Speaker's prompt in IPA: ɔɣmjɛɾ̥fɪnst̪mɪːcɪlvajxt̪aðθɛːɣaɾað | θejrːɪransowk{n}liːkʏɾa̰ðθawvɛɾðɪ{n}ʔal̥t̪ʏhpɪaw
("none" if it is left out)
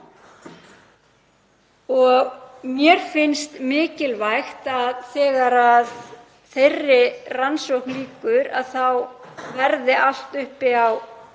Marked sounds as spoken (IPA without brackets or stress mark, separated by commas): n, none